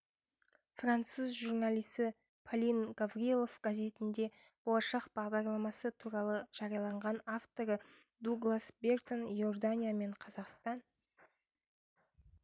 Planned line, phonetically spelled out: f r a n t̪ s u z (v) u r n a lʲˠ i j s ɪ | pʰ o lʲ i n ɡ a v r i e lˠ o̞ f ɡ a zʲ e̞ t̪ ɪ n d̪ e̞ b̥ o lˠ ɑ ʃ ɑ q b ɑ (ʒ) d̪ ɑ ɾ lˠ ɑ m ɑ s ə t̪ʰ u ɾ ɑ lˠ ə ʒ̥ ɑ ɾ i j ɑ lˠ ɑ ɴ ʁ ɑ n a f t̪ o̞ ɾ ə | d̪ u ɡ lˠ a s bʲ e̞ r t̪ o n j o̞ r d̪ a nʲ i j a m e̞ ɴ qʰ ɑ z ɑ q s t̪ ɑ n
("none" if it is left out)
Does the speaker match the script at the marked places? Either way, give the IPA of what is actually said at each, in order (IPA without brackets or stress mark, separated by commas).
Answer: ʒ, ʁ